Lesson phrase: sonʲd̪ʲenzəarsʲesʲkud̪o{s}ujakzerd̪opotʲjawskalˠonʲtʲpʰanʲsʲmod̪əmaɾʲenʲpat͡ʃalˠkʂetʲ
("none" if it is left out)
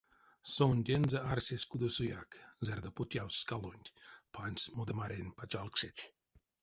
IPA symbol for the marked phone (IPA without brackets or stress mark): s